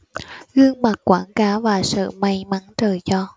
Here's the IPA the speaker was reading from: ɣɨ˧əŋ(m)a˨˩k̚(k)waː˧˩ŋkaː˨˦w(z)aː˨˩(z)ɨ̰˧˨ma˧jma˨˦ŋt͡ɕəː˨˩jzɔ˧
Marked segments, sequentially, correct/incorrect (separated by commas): correct, correct, incorrect, incorrect